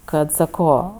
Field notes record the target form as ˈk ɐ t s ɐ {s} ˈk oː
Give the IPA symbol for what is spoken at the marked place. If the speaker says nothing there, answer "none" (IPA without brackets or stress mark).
none